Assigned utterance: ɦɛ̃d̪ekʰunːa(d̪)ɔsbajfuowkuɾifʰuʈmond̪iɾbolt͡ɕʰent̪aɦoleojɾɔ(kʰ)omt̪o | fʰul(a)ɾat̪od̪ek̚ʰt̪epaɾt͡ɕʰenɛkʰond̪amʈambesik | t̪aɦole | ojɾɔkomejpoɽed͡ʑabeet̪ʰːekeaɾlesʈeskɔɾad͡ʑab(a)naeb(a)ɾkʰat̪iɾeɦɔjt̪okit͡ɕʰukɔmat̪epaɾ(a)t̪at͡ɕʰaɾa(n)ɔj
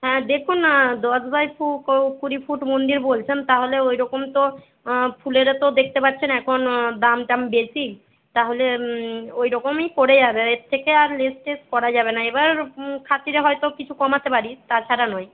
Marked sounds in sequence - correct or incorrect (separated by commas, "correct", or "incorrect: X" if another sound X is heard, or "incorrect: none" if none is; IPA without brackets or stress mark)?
correct, incorrect: k, incorrect: e, incorrect: e, correct, incorrect: i, correct